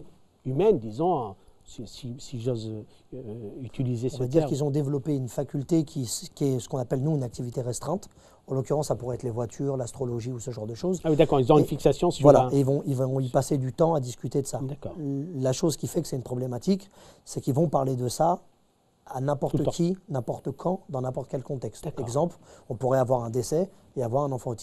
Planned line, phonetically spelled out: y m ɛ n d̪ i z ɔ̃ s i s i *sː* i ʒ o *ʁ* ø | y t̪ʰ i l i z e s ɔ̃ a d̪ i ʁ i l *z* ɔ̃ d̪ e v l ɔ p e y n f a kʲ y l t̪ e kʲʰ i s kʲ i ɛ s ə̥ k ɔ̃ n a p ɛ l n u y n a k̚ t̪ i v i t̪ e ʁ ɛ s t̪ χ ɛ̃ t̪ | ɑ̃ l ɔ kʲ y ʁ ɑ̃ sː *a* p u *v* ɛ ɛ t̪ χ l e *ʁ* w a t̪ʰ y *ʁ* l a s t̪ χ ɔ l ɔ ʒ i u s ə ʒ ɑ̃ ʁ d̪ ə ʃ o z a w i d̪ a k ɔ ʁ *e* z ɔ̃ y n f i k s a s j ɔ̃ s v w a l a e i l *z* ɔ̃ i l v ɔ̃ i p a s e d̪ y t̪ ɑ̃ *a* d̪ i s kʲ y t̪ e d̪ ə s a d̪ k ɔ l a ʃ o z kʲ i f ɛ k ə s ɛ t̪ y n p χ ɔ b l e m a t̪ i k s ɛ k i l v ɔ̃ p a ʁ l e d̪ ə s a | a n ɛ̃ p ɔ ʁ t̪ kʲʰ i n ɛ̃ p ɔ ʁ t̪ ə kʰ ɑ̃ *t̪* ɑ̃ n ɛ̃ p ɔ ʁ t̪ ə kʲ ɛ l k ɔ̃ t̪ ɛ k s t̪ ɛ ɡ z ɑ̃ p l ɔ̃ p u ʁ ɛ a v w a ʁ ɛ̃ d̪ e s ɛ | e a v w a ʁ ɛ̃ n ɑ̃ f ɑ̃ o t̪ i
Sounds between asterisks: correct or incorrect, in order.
incorrect: s, incorrect: z, correct, correct, incorrect: ʁ, incorrect: v, correct, incorrect: i, incorrect: v, correct, incorrect: d̪

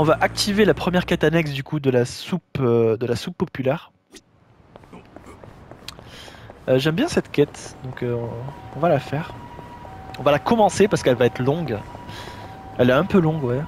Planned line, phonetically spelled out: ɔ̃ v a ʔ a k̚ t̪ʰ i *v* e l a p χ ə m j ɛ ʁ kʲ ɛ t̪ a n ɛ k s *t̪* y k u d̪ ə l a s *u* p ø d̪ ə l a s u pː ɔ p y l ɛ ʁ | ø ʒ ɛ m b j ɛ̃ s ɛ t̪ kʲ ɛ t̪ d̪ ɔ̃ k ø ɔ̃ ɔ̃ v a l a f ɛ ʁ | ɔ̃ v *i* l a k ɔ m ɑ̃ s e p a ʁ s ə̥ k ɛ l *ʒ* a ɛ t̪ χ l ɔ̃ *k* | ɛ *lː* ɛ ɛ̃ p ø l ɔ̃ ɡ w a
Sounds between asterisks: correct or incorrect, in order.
correct, incorrect: d̪, correct, incorrect: a, incorrect: v, incorrect: ɡ, incorrect: l

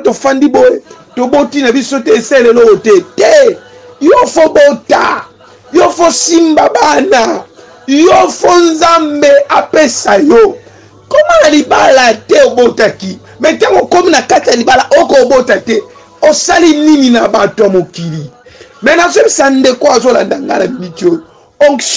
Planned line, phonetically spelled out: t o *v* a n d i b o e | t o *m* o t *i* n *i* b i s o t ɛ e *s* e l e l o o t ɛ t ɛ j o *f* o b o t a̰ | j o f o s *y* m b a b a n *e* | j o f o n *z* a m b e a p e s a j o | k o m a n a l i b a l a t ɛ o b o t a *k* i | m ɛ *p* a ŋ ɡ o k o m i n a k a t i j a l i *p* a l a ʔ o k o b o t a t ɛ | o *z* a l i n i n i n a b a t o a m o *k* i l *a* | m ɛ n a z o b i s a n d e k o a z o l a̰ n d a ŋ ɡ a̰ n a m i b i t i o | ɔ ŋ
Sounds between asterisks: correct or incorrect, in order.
incorrect: f, incorrect: b, correct, incorrect: a, correct, correct, incorrect: i, incorrect: a, correct, correct, incorrect: t, incorrect: b, incorrect: s, correct, incorrect: i

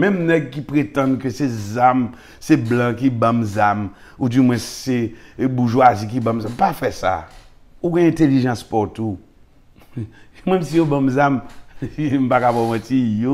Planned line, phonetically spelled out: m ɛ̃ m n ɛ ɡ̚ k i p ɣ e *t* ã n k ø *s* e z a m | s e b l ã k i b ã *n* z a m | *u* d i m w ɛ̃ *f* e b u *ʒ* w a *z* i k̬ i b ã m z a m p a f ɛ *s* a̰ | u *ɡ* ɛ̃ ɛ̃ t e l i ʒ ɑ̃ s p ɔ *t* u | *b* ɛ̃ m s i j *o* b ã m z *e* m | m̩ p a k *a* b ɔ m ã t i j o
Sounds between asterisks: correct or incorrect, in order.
correct, correct, incorrect: m, correct, incorrect: s, correct, correct, correct, correct, correct, incorrect: m, correct, incorrect: a, correct

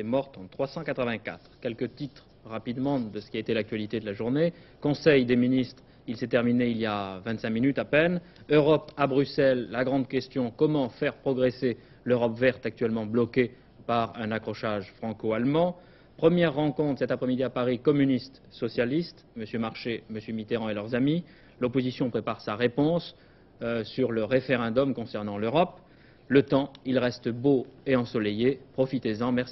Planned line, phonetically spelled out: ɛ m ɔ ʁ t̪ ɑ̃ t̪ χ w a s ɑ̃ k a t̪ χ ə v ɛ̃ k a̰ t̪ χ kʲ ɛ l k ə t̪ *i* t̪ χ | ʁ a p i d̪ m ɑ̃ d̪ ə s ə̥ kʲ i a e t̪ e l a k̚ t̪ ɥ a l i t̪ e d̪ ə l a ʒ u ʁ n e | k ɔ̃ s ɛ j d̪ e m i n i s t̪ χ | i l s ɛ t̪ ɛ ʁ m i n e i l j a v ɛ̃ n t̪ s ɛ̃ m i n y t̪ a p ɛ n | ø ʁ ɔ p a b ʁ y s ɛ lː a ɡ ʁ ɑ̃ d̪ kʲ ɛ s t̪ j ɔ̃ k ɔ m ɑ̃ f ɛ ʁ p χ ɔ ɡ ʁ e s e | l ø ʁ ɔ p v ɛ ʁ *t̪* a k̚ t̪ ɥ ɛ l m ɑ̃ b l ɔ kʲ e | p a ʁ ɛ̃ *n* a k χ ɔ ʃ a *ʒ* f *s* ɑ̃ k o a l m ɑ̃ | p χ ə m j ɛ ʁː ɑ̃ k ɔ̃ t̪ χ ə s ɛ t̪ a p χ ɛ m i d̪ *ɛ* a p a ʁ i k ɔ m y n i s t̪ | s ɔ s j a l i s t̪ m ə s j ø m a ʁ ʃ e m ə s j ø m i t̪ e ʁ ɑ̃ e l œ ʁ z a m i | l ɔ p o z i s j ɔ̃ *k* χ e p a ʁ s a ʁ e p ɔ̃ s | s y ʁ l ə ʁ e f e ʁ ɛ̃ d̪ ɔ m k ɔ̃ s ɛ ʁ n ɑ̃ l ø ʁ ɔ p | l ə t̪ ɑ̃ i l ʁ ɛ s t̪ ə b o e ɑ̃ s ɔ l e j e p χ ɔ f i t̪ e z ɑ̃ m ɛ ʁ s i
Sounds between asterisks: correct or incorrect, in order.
correct, correct, correct, correct, incorrect: χ, incorrect: i, incorrect: p

